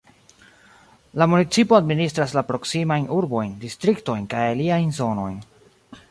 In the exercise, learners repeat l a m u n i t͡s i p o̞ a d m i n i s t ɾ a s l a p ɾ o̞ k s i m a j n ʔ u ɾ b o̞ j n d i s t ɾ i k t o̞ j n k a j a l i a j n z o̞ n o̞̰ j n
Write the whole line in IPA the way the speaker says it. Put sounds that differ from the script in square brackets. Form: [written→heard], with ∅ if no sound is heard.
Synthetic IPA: l a m u n i t͡s i p o̞ a d m i n i s t ɾ a s l a p ɾ o̞ k s i m a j n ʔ u ɾ b o̞ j n d i s t ɾ i k t o̞ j n k a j a l i a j n z o̞ n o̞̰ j n